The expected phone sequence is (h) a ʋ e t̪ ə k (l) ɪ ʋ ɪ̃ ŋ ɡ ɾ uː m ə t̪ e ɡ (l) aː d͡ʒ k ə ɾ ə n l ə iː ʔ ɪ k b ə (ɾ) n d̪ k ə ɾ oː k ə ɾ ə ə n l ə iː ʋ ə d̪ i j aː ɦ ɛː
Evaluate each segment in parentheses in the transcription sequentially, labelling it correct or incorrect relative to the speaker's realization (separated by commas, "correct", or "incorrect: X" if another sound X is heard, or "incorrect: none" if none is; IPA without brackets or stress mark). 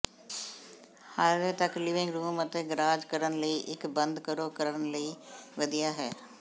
correct, correct, incorrect: ɾ, incorrect: none